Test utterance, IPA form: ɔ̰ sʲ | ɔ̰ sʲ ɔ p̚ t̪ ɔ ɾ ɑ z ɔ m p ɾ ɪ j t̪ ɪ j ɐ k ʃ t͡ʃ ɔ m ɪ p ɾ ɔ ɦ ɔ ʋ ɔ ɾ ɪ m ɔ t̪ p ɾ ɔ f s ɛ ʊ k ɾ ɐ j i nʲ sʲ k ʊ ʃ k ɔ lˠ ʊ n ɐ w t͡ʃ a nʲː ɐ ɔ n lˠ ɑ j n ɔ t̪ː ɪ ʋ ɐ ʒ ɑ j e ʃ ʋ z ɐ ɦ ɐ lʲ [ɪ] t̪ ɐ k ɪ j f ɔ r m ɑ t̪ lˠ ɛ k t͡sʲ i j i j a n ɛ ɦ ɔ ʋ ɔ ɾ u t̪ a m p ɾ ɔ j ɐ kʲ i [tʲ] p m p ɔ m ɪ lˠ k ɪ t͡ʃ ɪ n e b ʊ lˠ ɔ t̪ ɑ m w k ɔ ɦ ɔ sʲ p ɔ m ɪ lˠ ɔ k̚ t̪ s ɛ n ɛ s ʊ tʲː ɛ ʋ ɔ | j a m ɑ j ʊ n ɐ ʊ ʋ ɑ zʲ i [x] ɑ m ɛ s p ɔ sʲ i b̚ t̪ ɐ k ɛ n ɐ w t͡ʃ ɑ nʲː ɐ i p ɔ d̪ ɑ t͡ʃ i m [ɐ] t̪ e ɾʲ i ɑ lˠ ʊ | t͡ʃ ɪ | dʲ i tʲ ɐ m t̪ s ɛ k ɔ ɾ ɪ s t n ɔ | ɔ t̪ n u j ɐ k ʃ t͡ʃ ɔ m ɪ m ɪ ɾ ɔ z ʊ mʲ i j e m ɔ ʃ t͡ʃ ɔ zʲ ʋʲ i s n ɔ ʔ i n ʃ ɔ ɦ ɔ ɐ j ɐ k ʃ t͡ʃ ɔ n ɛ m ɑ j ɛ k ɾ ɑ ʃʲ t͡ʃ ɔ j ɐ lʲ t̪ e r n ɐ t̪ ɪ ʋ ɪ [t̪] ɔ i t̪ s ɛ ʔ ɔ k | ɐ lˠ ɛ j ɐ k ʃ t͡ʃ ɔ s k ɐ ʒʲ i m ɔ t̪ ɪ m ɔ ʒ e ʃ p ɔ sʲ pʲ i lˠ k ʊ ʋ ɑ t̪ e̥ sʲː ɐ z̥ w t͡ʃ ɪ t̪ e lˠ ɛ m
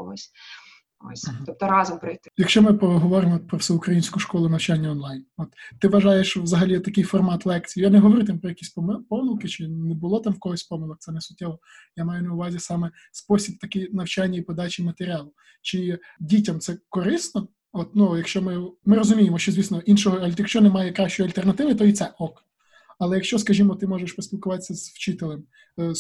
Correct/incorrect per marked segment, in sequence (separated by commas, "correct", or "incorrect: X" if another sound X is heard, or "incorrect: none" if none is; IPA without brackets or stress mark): incorrect: i, incorrect: sʲ, incorrect: s, correct, correct